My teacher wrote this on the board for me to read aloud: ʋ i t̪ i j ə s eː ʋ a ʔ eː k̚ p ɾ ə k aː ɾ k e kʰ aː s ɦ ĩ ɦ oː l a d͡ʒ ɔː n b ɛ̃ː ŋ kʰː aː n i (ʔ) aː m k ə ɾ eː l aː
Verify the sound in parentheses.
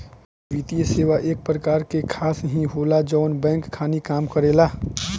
incorrect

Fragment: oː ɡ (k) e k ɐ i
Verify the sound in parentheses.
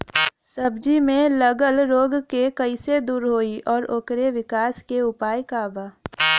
correct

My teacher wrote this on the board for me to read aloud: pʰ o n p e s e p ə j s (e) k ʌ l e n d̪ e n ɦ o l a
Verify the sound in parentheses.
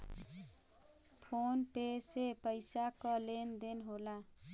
incorrect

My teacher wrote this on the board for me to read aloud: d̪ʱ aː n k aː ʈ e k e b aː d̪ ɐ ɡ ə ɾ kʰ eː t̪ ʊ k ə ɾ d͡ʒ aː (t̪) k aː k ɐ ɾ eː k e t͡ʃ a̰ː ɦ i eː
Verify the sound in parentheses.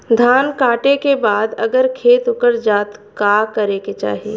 correct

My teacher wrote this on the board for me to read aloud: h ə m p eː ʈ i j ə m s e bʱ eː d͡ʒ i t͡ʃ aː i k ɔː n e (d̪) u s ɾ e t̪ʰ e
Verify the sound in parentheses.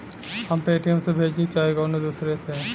correct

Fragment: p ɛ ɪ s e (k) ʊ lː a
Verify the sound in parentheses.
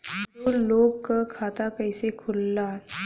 incorrect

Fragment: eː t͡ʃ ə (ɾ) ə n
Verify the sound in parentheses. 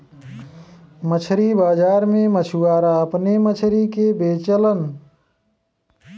incorrect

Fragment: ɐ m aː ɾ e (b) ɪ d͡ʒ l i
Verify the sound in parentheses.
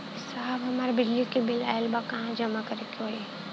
correct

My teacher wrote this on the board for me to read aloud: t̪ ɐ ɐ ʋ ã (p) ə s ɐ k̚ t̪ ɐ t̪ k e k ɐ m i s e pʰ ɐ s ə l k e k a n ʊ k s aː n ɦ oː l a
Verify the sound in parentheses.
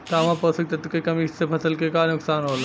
correct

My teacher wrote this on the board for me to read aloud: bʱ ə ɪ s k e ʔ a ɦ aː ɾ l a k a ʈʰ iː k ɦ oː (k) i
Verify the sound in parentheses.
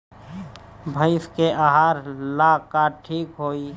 incorrect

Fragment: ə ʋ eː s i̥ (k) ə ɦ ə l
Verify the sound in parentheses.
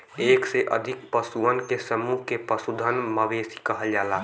correct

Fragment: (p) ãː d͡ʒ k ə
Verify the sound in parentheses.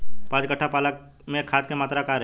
correct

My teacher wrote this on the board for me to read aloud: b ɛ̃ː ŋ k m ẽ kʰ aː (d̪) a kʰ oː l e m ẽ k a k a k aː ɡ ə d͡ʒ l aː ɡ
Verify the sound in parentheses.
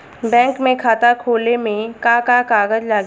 incorrect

